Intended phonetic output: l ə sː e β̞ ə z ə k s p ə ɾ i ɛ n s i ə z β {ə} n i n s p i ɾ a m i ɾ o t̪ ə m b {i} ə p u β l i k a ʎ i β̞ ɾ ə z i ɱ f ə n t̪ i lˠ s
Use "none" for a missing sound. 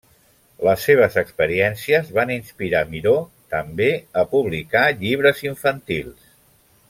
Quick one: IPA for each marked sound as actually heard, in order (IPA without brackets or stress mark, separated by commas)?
a, e